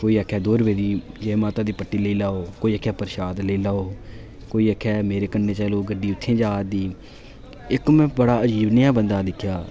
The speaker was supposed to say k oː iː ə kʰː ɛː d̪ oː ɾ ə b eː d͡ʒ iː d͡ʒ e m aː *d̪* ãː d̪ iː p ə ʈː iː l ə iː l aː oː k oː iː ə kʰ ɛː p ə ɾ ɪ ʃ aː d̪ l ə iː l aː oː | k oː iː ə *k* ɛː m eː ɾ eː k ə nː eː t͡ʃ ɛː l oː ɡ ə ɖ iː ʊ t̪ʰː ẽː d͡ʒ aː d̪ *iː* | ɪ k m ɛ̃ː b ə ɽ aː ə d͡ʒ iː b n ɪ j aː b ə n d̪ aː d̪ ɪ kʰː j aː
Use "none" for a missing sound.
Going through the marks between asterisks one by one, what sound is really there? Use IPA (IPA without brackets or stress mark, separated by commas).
t̪, kʰ, iː